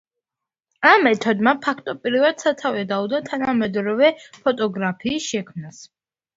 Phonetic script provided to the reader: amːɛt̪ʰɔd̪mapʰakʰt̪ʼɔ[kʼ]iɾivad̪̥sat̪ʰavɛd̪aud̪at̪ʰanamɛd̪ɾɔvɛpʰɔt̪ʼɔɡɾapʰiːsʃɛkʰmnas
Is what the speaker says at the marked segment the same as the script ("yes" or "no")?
no